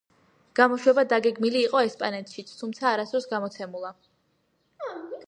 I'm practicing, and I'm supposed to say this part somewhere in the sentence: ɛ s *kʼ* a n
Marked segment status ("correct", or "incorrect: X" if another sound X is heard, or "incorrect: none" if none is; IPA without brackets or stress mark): incorrect: pʼ